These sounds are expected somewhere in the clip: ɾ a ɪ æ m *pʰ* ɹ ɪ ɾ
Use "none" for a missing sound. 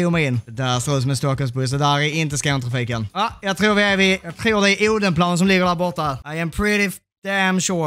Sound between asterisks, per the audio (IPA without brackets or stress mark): pʰ